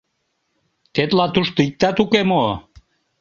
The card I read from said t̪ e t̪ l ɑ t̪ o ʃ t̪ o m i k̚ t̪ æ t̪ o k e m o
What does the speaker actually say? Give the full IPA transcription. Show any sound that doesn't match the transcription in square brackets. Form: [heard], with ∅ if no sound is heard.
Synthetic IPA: t̪ e t̪ l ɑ t̪ [u] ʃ t̪ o [∅] i k̚ t̪ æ t̪ [u] k e m o

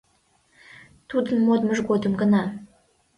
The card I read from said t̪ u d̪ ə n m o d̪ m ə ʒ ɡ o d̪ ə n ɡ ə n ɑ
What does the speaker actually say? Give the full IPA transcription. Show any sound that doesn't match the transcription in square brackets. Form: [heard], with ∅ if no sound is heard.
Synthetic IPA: t̪ u d̪ ə n m o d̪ m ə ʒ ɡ o d̪ ə [m] ɡ ə n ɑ

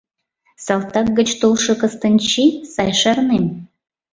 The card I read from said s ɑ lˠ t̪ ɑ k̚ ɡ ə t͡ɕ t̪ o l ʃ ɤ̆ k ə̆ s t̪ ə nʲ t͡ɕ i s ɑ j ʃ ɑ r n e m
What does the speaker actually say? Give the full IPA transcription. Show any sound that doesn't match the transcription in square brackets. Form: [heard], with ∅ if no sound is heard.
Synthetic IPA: s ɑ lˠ t̪ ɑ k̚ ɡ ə t͡ɕ t̪ o l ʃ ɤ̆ k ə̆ s t̪ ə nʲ t͡ɕ i s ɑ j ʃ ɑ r n e m

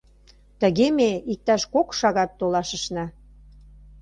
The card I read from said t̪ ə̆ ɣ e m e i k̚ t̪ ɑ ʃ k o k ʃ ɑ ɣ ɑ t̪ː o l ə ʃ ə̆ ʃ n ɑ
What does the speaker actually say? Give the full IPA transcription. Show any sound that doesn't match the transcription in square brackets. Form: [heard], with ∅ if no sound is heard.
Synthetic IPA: t̪ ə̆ ɣ e m e i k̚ t̪ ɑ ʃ k o k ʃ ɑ ɣ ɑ t̪ː o l [ɑ] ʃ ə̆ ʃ n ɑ

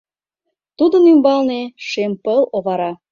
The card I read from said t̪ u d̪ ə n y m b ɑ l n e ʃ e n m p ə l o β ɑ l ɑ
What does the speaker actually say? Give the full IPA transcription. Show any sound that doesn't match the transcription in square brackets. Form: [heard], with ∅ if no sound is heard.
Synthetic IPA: t̪ u d̪ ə n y m b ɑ l n e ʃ e [∅] m p ə l o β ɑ [ɾ] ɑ

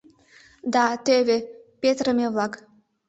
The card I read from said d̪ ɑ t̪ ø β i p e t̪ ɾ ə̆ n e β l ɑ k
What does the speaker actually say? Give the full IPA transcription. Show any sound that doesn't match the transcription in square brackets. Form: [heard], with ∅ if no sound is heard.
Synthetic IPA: d̪ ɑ t̪ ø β [e] p e t̪ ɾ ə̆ [m] e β l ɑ k

